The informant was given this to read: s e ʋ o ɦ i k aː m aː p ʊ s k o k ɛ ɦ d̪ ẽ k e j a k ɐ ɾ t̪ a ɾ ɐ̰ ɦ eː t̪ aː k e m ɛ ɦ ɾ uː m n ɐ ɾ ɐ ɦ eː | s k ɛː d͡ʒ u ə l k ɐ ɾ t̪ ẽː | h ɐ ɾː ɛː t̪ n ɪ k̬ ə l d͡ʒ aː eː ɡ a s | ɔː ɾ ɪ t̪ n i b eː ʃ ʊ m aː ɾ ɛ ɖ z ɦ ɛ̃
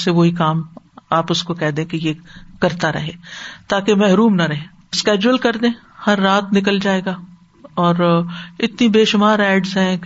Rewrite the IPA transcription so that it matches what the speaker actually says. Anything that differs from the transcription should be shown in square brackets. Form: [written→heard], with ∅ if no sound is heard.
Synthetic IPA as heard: s e ʋ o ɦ i k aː m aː p ʊ s k o k ɛ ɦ d̪ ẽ k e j [a→e] k ɐ ɾ t̪ a ɾ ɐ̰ ɦ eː t̪ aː k e m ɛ ɦ ɾ uː m n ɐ ɾ ɐ ɦ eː | s k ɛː d͡ʒ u ə l k ɐ ɾ [t̪→d̪] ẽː | h ɐ ɾː [ɛː→aː] t̪ n ɪ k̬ ə l d͡ʒ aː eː ɡ a [s→∅] | ɔː ɾ ɪ t̪ n i b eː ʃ ʊ m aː ɾ [ɛ→ɛː] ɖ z ɦ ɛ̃